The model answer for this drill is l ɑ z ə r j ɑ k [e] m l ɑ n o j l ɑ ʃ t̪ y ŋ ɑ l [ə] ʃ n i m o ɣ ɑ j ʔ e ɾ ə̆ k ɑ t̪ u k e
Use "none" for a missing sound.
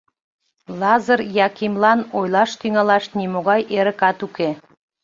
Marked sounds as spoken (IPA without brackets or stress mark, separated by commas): i, ɑ